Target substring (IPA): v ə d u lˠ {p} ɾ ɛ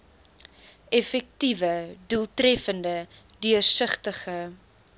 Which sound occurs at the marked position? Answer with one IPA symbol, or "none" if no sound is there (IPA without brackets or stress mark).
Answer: t